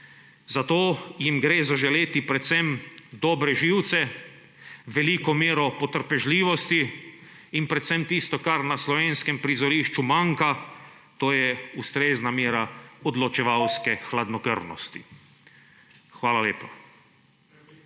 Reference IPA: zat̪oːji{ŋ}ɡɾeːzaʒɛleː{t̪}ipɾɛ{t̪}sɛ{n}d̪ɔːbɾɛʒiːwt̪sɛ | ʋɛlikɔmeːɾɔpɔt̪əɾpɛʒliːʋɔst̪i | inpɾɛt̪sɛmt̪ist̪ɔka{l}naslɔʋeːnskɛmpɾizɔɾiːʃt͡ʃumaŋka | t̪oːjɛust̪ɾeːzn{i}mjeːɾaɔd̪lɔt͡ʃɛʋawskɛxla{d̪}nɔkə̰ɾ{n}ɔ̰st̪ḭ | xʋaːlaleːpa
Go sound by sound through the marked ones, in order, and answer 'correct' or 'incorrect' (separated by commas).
incorrect, correct, correct, incorrect, incorrect, incorrect, correct, correct